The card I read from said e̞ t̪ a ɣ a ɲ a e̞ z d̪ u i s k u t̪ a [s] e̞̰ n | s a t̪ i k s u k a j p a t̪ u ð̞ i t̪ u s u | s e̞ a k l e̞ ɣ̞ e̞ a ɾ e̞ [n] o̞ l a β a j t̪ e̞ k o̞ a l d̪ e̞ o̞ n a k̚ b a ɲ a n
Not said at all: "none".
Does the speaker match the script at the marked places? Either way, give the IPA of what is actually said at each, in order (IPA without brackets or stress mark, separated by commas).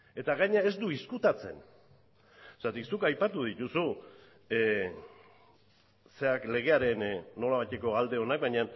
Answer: t͡s, nː